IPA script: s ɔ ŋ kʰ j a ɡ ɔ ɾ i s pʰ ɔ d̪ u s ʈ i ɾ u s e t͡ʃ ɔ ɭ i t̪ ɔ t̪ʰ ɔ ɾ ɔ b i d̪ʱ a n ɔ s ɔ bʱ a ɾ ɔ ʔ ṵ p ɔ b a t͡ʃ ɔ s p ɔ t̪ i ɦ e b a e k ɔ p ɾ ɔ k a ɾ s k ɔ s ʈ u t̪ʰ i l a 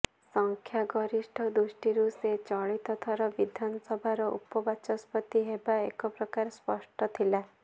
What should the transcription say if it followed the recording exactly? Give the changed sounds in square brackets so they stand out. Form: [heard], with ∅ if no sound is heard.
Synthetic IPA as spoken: s ɔ ŋ kʰ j a ɡ ɔ ɾ i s [ʈʰ] ɔ d̪ u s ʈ i ɾ u s e t͡ʃ ɔ ɭ i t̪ ɔ t̪ʰ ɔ ɾ ɔ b i d̪ʱ a n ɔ s ɔ bʱ a ɾ ɔ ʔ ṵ p ɔ b a t͡ʃ ɔ s p ɔ t̪ i ɦ e b a e k ɔ p ɾ ɔ k a ɾ s [p] ɔ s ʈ [ɔ] t̪ʰ i l a